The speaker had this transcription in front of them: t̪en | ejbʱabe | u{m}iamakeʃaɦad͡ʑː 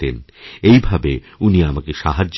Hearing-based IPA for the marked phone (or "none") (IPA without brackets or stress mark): n